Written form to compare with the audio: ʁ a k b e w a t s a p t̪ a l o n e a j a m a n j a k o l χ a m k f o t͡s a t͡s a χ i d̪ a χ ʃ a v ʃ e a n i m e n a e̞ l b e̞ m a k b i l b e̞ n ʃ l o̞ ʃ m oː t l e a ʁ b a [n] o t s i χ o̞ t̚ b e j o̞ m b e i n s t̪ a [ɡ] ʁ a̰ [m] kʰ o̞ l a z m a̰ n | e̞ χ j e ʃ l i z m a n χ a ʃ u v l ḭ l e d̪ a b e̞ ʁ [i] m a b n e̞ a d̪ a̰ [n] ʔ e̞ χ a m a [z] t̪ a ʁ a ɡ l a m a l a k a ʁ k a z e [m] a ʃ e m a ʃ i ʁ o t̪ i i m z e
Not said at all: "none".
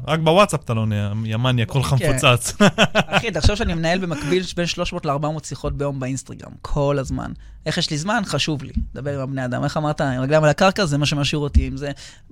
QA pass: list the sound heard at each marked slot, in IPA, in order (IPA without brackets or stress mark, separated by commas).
m, ɡ, m, i, m, ʁ, m